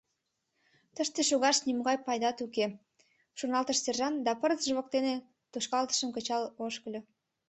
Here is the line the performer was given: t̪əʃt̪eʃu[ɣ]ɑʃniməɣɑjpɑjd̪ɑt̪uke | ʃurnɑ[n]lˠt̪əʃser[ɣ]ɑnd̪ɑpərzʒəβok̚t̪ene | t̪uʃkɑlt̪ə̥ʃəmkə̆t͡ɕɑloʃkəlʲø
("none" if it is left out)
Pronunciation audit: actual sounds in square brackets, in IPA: ɣ, none, ʒ

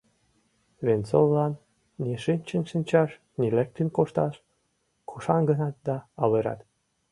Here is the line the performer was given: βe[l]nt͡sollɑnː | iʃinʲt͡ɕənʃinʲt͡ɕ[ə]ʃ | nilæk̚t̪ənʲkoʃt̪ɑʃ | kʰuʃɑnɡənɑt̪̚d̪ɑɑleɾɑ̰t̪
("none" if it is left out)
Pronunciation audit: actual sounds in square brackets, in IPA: none, ɑ

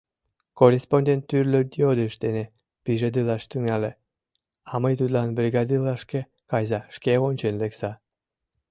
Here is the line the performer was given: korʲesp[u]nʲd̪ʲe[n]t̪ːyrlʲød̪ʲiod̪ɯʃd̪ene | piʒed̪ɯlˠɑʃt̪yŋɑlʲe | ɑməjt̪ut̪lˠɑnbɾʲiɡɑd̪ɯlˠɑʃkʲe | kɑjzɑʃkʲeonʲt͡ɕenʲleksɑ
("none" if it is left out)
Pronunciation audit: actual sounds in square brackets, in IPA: o, n

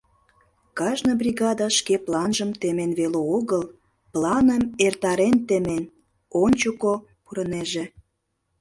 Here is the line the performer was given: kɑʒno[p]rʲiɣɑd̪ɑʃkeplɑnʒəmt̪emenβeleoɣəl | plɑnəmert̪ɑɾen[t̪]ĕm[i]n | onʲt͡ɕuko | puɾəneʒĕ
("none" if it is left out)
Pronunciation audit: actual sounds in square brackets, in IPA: b, t̪, e

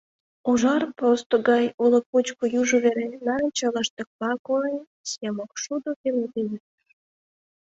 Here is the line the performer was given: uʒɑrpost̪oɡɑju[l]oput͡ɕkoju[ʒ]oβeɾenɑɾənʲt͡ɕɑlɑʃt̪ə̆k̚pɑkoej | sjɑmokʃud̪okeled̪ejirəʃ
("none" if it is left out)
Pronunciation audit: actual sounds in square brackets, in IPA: l, ʒ

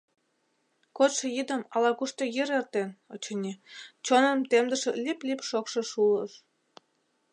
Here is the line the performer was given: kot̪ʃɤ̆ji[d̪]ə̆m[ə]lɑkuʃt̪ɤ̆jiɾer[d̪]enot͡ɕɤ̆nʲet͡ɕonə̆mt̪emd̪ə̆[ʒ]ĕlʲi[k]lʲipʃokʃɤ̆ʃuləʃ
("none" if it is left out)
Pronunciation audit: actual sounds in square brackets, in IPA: d̪, ɑ, t̪, ʃ, p

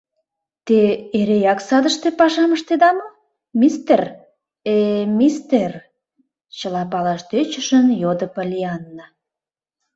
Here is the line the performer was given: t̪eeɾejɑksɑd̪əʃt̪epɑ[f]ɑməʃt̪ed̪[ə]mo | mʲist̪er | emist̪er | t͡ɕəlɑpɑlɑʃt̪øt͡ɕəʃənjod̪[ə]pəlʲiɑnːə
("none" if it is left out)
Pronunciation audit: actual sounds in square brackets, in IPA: ʃ, ɑ, ə

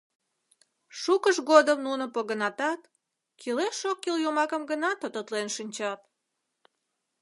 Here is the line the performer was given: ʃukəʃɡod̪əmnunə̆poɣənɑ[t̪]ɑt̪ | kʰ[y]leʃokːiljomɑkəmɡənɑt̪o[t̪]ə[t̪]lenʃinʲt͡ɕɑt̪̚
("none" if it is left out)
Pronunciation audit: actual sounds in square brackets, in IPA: t̪, i, t̪, t̪

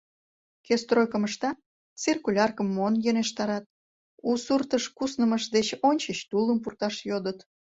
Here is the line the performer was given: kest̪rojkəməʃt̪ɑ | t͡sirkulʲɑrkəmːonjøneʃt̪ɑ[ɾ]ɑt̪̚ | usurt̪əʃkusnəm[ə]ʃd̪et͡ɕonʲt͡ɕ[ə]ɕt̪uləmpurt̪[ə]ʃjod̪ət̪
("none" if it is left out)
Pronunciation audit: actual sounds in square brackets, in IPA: ɾ, ə, ə, ɑ

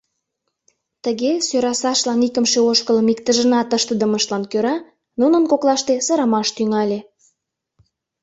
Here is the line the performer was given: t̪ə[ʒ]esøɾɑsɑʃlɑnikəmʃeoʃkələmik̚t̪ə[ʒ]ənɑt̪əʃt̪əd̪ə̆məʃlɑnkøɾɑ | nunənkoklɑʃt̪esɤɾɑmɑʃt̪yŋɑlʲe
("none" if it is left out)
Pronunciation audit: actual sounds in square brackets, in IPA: ɣ, ʒ

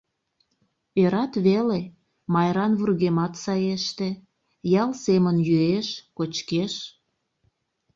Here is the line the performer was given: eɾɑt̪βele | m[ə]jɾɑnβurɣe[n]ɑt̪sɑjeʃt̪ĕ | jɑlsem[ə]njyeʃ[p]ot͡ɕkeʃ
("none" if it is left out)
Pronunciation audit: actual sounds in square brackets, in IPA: ɑ, m, ə, k

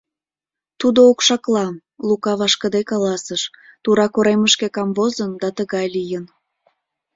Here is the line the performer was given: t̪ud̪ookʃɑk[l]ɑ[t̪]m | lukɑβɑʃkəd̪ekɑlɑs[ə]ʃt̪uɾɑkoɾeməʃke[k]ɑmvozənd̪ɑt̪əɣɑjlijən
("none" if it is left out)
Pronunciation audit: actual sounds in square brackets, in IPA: l, none, ə, k

